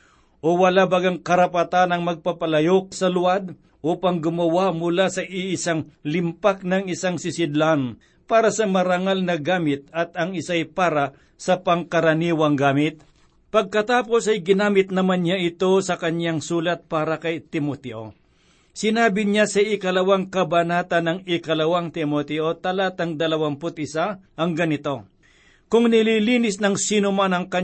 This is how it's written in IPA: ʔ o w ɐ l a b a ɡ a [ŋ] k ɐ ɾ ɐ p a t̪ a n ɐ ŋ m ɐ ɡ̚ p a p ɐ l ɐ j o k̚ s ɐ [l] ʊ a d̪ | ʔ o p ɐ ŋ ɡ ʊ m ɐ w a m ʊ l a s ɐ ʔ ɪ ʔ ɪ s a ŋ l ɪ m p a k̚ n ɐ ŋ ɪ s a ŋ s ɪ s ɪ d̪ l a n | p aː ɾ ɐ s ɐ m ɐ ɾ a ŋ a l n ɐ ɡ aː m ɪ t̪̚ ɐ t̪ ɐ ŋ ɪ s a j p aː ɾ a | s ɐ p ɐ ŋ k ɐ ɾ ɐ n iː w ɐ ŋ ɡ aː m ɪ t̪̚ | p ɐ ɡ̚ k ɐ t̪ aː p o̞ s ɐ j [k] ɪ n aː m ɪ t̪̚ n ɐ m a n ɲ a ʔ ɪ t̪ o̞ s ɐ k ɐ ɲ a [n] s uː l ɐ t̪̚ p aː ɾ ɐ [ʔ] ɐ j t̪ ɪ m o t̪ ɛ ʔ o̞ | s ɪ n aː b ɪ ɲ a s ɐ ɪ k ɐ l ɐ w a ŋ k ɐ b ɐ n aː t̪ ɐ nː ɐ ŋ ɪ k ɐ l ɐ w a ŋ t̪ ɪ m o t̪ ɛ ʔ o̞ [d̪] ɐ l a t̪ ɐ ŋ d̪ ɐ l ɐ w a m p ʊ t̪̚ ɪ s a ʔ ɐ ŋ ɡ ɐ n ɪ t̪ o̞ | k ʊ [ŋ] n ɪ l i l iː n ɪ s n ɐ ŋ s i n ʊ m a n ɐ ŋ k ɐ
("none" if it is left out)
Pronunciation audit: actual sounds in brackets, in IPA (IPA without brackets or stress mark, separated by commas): ŋ, l, ɡ, ŋ, k, t̪, ŋ